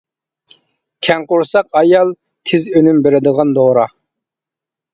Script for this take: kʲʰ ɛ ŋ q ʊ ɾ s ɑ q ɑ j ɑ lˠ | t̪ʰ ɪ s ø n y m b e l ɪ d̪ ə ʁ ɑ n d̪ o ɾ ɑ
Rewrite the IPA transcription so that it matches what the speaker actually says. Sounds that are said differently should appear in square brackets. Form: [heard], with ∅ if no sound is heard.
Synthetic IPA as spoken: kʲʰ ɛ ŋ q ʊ ɾ s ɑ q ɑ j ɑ lˠ | t̪ʰ ɪ [z] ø n y m b e [ɾ] ɪ d̪ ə ʁ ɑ n d̪ o ɾ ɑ

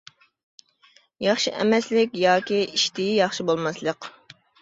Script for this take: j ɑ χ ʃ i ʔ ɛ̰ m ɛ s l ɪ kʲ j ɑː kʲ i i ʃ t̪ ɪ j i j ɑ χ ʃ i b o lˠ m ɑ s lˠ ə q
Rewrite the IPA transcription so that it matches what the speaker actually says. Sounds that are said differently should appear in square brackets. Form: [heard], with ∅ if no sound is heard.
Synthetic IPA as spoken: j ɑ χ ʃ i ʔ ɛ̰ m ɛ s l ɪ kʲ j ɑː kʲ i i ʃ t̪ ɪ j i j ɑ χ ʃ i b o lˠ m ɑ s lˠ ə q

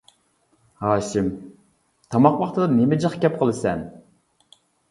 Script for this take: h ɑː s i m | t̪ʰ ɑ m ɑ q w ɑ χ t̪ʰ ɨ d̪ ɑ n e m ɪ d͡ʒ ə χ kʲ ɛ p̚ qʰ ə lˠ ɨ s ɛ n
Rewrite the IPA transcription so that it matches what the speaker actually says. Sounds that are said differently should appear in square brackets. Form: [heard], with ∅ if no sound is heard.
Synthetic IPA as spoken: h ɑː [ʃ] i m | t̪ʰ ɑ m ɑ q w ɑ χ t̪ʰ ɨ d̪ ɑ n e m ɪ d͡ʒ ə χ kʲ ɛ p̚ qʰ ə lˠ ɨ s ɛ n

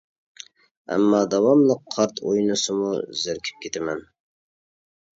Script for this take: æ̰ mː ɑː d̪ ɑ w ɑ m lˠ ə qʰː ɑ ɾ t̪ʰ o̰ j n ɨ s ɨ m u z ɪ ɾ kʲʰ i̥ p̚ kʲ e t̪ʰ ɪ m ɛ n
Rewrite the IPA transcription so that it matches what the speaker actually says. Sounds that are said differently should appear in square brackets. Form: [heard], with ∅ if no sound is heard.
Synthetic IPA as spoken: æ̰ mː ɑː d̪ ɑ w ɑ m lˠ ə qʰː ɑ ɾ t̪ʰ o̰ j n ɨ s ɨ m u z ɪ ɾ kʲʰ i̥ p̚ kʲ e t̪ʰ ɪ m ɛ n

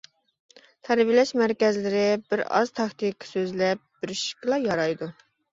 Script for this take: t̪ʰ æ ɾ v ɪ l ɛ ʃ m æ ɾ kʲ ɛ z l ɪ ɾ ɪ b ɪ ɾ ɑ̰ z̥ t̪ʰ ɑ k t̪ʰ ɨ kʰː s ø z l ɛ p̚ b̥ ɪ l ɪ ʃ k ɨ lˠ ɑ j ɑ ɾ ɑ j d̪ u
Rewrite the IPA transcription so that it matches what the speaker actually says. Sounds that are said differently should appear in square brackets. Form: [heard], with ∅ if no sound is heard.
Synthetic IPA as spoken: t̪ʰ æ ɾ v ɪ l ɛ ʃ m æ ɾ kʲ ɛ z l ɪ ɾ ɪ b ɪ ɾ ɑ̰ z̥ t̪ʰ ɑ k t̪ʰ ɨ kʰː s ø z l ɛ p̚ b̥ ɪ [ɾ] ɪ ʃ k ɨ lˠ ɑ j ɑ ɾ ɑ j d̪ u

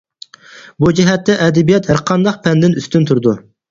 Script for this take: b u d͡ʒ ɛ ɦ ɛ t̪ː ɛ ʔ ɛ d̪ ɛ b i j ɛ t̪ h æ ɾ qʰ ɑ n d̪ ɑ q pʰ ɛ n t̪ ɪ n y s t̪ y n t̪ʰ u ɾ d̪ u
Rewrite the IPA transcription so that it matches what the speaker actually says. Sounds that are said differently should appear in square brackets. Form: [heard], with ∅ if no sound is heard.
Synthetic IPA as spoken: b u d͡ʒ ɛ ɦ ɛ t̪ː ɛ ʔ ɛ d̪ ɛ b i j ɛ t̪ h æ ɾ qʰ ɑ n d̪ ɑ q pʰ ɛ n [d̪] ɪ n y s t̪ y n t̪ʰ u ɾ d̪ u

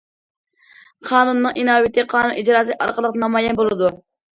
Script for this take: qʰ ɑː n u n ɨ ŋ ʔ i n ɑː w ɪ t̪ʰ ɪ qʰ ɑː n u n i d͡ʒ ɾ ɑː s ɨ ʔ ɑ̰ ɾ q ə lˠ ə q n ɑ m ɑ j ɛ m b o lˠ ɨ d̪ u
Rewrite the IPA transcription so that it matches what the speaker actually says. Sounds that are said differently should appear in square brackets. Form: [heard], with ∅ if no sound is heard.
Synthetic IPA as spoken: qʰ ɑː n u [nː] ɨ ŋ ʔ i n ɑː w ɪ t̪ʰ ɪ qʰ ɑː n u n i d͡ʒ ɾ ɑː s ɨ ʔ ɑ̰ ɾ q ə lˠ ə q n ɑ m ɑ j ɛ [n] b o lˠ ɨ d̪ u

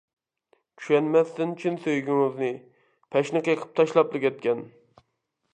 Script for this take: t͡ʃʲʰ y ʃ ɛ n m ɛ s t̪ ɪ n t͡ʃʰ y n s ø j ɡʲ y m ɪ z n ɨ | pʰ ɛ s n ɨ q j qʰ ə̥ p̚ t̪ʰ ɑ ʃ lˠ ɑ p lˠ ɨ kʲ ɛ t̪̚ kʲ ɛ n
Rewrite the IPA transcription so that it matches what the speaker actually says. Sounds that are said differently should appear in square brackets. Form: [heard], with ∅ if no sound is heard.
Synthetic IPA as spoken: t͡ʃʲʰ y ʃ ɛ n m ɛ s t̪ ɪ n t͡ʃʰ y n s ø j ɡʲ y [ŋ] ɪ z n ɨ | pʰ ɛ [ʃ] n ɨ q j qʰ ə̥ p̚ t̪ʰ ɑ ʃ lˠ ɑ p lˠ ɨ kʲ ɛ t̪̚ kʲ ɛ n

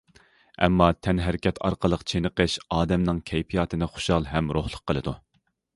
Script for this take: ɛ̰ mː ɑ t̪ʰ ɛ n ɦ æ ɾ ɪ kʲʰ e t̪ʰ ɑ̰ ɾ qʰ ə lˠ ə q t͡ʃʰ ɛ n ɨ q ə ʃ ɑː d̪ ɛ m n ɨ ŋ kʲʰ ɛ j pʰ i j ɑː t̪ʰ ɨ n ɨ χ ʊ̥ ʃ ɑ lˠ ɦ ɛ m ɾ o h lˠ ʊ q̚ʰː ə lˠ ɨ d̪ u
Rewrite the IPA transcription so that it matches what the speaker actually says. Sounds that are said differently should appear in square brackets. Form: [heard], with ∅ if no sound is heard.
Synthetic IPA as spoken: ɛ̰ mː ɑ t̪ʰ ɛ n ɦ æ ɾ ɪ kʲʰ [ɛ] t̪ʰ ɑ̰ ɾ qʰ ə lˠ ə q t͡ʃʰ [e] n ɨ q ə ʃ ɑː d̪ ɛ m n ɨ ŋ kʲʰ ɛ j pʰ i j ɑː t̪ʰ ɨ n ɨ χ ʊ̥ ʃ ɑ lˠ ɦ ɛ m ɾ o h lˠ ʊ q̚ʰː ə lˠ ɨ d̪ u

